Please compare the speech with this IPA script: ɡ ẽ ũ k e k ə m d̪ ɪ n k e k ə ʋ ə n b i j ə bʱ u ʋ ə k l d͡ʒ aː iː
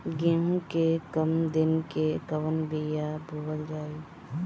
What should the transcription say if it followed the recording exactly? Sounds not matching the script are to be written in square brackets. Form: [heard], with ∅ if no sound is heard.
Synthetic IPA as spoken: ɡ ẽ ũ k e k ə m d̪ ɪ n k e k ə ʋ ə n b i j [a] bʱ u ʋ ə [∅] l d͡ʒ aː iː

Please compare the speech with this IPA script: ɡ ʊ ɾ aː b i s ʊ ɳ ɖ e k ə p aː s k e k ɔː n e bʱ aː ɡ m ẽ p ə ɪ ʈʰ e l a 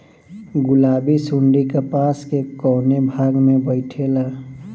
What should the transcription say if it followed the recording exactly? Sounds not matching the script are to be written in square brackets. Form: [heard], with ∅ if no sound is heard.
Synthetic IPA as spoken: ɡ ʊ [l] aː b i s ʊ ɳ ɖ [i] k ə p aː s k e k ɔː n e bʱ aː ɡ m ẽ [b] ə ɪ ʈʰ e l a

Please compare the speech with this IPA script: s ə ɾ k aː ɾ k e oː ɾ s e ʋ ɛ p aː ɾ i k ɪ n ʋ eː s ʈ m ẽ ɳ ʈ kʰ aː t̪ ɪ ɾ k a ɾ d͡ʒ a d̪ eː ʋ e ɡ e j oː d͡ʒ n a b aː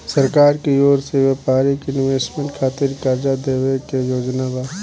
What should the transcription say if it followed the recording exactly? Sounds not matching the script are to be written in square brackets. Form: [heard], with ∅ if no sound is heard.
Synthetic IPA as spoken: s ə ɾ k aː ɾ k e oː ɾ s e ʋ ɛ p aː ɾ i k ɪ n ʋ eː s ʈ m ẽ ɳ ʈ kʰ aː t̪ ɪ ɾ k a ɾ d͡ʒ a d̪ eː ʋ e [k] e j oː d͡ʒ n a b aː

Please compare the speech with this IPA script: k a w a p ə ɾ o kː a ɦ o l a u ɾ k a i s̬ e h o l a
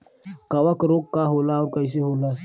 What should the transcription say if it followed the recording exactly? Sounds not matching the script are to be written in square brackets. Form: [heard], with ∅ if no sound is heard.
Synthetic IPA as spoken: k a w a [k] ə ɾ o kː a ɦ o l a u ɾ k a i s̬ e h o l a

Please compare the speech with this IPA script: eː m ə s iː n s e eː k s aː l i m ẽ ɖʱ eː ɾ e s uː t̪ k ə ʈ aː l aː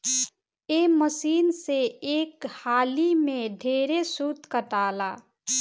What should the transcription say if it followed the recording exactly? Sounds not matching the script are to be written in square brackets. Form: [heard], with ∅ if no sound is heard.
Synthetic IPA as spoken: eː m ə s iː n s e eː k [h] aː l i m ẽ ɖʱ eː ɾ e s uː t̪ k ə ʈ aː l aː

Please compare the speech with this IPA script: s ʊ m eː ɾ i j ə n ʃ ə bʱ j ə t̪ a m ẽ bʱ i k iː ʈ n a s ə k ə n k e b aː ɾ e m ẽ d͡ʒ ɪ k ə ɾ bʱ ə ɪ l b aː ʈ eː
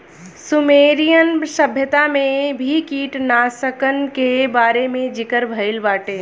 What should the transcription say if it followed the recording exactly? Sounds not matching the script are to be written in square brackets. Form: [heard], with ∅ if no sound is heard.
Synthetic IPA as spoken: s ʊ m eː ɾ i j ə n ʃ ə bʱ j ə t̪ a m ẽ bʱ i k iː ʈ n a s ə k ə n k e b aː ɾ e m ẽ d͡ʒ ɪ k ə ɾ bʱ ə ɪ l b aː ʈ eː

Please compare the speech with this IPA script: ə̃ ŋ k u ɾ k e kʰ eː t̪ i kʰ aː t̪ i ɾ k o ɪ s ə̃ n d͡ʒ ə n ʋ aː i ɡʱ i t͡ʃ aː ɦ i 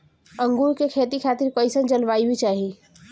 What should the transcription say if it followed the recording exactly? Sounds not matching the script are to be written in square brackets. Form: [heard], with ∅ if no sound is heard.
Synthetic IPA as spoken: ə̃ ŋ [ɡ] u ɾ k e kʰ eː t̪ i kʰ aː t̪ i ɾ k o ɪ s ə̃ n d͡ʒ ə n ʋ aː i [bʱ] i t͡ʃ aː ɦ i

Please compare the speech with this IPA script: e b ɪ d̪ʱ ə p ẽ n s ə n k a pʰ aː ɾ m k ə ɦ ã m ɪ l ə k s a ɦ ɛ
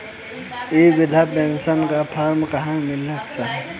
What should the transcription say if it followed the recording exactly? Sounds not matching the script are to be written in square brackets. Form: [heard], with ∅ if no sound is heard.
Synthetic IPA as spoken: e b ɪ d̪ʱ [a] p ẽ n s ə n k a pʰ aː ɾ m k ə ɦ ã m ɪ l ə k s a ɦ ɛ

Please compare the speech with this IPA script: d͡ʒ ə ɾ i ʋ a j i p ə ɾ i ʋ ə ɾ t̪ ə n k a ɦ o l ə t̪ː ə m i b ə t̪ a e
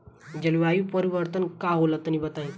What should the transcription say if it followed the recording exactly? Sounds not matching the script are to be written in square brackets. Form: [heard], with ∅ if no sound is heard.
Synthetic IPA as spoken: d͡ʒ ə [l] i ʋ a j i p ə ɾ i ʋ ə ɾ t̪ ə n k a ɦ o l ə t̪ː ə [n] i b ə t̪ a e

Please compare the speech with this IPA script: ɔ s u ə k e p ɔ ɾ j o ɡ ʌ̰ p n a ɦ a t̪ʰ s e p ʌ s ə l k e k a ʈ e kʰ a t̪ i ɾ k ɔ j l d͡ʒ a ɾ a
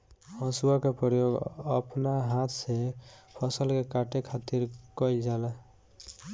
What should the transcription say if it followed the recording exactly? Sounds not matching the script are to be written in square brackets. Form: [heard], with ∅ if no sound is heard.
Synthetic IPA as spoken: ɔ s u [a] k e p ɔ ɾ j o ɡ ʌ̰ p n a ɦ a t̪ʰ s e [pʰ] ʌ s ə l k e k a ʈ e kʰ a t̪ i ɾ k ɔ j l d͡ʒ a [l] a

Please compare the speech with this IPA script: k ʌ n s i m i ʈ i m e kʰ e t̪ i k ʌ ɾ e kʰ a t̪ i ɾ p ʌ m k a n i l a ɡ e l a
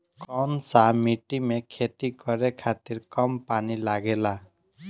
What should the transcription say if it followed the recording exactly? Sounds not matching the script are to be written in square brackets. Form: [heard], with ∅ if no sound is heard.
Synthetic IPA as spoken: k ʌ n s [a] m i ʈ i m e kʰ e t̪ i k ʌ ɾ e kʰ a t̪ i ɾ [k] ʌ m [p] a n i l a ɡ e l a

